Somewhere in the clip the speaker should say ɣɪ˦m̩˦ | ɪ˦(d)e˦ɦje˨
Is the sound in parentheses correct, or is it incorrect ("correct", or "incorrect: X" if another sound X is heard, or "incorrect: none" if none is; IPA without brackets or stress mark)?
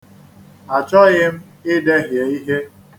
correct